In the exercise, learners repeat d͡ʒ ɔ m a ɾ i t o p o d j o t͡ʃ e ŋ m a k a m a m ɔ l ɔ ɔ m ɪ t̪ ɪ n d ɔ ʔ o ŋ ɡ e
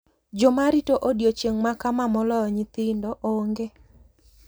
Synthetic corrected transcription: d͡ʒ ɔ m a ɾ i t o ʔ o d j o t͡ʃ e ŋ m a k a m a m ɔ l ɔ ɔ ɲ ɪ t̪ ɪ n d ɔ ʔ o ŋ ɡ e